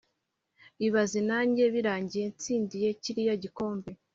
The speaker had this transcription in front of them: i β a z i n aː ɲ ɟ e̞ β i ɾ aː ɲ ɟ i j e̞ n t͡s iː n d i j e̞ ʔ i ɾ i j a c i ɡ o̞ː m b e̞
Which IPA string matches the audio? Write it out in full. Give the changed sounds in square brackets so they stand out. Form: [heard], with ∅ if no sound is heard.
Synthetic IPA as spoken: i β a z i n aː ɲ ɟ e̞ β i ɾ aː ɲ ɟ i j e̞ n t͡s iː n d i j e̞ [c] i ɾ i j a [ɟ] i [k] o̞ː m b e̞